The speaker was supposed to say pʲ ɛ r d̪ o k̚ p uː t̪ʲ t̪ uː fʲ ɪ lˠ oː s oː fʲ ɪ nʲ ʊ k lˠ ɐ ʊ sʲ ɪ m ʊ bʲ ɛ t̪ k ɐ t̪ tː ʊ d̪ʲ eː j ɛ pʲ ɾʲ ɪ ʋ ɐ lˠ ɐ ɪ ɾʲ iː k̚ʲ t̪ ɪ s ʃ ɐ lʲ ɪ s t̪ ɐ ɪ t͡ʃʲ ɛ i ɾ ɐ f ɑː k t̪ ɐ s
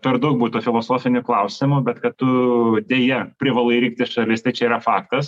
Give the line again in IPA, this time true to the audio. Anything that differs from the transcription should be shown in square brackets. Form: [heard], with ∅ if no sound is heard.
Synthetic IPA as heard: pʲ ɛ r d̪ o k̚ [b] uː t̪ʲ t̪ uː fʲ ɪ lˠ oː s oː fʲ ɪ nʲ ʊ k lˠ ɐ ʊ sʲ ɪ m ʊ bʲ ɛ t̪ k ɐ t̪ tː ʊ d̪ʲ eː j ɛ pʲ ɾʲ ɪ ʋ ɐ lˠ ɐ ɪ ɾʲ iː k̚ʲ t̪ ɪ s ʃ ɐ lʲ ɪ s t̪ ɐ ɪ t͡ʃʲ ɛ i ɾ ɐ f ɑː k t̪ ɐ s